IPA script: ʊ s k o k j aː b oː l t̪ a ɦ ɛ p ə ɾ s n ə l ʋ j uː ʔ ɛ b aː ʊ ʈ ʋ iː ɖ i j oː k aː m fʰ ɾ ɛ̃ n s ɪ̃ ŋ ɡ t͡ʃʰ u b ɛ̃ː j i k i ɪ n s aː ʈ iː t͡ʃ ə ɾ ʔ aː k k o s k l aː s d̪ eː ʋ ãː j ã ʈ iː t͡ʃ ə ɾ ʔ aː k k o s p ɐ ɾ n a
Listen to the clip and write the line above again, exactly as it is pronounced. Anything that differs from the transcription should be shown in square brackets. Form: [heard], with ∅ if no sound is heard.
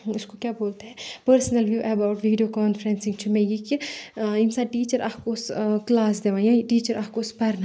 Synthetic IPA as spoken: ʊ s k o k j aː b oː l t̪ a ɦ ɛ p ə ɾ s n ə l ʋ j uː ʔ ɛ b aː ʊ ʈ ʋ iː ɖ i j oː k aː [n] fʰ ɾ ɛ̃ n s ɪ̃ ŋ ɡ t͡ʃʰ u [m] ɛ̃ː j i k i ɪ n s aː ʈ iː t͡ʃ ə ɾ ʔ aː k k o s k l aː s d̪ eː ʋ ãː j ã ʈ iː t͡ʃ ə ɾ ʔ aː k k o s p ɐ ɾ n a

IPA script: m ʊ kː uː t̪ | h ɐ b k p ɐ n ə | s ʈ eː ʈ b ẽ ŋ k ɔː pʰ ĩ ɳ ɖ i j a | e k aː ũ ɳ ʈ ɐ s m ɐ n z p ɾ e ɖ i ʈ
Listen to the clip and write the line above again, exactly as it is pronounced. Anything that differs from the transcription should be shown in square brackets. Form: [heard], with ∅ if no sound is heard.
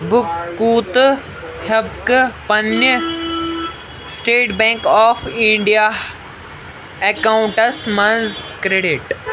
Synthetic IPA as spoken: [b] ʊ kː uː t̪ | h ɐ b k p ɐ n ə | s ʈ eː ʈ b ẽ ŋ k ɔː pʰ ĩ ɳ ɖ i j a | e k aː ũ ɳ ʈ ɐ s m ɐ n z [k] ɾ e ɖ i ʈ

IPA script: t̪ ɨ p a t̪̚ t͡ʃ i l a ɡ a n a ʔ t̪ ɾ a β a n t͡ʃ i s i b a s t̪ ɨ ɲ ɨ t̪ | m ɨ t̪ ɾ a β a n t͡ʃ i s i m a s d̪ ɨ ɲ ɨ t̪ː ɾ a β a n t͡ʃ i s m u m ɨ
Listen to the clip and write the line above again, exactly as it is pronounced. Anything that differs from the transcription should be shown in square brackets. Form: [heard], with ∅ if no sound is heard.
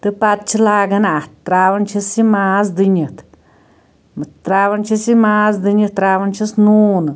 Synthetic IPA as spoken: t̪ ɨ p a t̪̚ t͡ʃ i l a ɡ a n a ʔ t̪ ɾ a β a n t͡ʃ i s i [m] a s [d̪] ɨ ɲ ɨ t̪ | m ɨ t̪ ɾ a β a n t͡ʃ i s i m a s d̪ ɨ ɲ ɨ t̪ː ɾ a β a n t͡ʃ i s [n] u [n] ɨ

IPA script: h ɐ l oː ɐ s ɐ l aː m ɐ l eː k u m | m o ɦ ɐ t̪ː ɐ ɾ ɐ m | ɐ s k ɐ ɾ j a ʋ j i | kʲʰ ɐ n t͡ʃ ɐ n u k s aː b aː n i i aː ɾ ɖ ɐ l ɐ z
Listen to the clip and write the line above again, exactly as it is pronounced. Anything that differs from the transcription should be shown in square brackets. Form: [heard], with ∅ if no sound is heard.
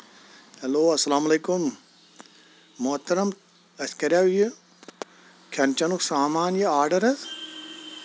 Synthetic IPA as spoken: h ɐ l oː ɐ s ɐ l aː m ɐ l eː k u m | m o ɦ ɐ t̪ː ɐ ɾ ɐ m | ɐ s k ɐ ɾ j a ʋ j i | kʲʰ ɐ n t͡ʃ ɐ n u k s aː [m] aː n [j] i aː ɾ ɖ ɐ [ɾ] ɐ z

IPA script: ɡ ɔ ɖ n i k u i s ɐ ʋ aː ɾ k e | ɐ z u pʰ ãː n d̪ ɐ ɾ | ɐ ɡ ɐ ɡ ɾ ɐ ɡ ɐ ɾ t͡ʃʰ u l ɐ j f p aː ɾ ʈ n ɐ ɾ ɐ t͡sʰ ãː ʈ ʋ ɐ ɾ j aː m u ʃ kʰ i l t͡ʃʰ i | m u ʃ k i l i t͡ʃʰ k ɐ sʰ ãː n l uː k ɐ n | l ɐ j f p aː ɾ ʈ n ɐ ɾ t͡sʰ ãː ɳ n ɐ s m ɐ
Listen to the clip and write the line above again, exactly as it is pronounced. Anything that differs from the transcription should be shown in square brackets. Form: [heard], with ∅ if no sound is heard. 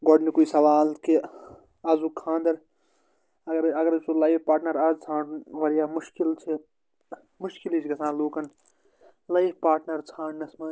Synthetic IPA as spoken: ɡ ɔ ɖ n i k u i s ɐ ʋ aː [l] k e | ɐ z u [kʰ] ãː n d̪ ɐ ɾ | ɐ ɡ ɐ [∅] ɾ ɐ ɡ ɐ ɾ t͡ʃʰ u l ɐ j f p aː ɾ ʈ n ɐ ɾ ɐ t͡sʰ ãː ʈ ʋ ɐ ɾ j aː m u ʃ [k] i l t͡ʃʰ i | m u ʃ k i l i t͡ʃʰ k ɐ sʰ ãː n l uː k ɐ n | l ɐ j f p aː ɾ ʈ n ɐ ɾ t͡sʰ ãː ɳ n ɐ s m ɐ

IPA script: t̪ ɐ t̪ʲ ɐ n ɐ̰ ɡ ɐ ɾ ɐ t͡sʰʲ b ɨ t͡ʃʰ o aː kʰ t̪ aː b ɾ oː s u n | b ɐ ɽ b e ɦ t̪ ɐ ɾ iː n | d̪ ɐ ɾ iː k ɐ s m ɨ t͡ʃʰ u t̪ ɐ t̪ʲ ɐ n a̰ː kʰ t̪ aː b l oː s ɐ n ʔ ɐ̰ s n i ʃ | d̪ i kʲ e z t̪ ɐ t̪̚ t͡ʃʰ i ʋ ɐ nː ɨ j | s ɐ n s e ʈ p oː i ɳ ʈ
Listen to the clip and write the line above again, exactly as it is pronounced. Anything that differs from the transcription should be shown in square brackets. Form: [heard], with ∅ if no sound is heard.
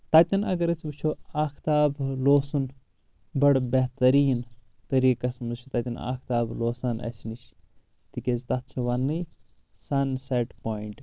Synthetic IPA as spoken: t̪ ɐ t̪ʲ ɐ n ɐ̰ ɡ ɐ ɾ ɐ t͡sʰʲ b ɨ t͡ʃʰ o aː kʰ t̪ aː b [l] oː s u n | b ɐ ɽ b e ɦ t̪ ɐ ɾ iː n | [t̪] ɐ ɾ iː k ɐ s m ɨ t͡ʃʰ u t̪ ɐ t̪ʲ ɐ n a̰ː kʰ t̪ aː b l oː s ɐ n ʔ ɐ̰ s n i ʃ | [t̪] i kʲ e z t̪ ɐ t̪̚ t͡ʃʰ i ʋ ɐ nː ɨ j | s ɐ n s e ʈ p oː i ɳ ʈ

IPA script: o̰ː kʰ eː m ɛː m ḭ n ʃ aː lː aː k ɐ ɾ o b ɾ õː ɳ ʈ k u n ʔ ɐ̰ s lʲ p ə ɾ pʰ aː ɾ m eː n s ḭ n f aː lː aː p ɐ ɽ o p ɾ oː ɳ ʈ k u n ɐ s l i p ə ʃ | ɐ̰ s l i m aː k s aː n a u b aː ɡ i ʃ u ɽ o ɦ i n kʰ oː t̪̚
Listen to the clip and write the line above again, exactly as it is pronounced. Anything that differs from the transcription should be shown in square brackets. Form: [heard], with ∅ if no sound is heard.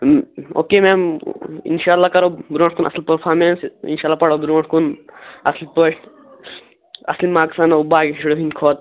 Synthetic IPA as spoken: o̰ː [k] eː m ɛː m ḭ n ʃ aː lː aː k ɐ ɾ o b ɾ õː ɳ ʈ k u n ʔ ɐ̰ s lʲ p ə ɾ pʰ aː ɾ m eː n s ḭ n [ʃ] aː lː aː p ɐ ɽ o [b] ɾ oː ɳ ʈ k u n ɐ s l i p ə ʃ | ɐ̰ s l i m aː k s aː n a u b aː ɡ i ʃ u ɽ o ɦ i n kʰ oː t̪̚

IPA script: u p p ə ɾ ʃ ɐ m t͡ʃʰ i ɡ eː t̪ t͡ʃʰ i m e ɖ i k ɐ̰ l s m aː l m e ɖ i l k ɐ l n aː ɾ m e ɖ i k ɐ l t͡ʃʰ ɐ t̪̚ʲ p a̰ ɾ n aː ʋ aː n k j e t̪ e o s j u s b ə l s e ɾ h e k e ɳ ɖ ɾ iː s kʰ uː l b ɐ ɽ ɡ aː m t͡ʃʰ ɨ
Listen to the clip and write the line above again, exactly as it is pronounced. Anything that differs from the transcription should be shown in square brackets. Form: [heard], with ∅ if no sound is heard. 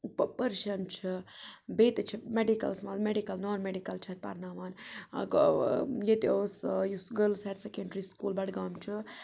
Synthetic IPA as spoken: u p p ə ɾ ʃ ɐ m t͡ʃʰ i [b] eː t̪ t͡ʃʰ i m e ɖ i k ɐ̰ l s m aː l m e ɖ i [∅] k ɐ l n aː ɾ m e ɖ i k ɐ l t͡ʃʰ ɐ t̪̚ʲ p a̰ ɾ n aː ʋ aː n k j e t̪ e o s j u s [ɡ] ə l s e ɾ [s] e k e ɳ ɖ ɾ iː s [k] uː l b ɐ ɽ ɡ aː m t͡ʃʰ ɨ

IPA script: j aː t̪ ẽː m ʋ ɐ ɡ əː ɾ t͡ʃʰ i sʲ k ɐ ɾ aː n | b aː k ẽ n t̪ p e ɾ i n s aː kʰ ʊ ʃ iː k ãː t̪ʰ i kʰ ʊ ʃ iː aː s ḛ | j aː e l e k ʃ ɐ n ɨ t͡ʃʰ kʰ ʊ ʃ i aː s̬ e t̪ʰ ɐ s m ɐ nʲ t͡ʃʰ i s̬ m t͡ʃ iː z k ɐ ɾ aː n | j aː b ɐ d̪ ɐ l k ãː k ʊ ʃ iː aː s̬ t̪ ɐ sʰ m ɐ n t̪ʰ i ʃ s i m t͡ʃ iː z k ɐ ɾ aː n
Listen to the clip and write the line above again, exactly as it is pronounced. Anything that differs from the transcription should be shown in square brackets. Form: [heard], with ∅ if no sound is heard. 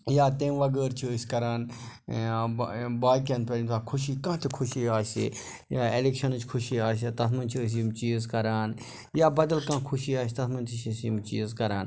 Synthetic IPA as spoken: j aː t̪ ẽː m ʋ ɐ ɡ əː ɾ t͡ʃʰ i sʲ k ɐ ɾ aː n | b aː k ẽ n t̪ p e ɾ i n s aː kʰ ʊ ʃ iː k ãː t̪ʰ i kʰ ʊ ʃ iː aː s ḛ | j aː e l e k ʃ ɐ n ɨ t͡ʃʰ kʰ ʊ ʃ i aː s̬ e [t̪] ɐ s m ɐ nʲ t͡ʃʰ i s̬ m t͡ʃ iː z k ɐ ɾ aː n | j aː b ɐ d̪ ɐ l k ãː [kʰ] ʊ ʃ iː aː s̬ t̪ ɐ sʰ m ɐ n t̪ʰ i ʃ s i m t͡ʃ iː z k ɐ ɾ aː n

